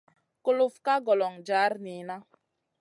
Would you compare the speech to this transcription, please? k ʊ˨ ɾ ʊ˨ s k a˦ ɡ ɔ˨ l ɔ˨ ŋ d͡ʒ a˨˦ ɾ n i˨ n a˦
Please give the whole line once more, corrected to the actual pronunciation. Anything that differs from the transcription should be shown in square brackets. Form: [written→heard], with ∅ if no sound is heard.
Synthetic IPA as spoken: k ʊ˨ [ɾ→l] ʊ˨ [s→f] k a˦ ɡ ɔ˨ l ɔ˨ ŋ d͡ʒ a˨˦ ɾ n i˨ n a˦